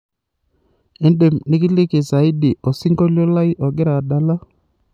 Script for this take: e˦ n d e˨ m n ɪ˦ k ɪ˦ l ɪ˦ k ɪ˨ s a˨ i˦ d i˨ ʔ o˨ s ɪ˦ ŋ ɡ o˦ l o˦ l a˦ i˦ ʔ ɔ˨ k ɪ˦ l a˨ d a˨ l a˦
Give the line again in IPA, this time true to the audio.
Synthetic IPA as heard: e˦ n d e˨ m n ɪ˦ k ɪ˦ l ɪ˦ k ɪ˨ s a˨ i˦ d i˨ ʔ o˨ s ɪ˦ ŋ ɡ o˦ l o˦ l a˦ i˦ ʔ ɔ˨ ɡ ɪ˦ ɾ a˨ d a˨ l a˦